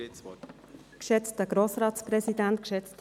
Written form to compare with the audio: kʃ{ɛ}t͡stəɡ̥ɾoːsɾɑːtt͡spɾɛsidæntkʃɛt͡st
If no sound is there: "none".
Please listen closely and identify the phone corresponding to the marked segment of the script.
ɛ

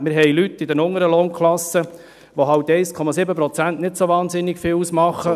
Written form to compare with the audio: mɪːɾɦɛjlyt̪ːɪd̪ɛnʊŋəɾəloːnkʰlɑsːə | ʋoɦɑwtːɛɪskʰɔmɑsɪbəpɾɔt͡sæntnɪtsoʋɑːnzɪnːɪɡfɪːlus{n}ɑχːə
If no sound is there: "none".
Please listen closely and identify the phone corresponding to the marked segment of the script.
m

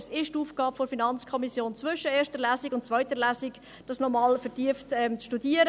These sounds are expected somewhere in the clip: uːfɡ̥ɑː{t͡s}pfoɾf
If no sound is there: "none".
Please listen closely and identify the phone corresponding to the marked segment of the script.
none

